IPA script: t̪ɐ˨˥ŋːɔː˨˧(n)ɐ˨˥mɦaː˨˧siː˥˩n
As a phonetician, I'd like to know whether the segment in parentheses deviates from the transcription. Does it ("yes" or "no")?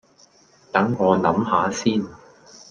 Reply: no